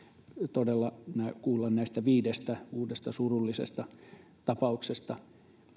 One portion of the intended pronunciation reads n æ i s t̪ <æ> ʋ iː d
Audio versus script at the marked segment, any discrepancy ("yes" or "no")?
no